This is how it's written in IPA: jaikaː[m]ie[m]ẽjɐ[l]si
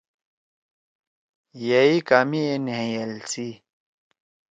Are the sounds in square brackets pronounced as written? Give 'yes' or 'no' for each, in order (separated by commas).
yes, no, yes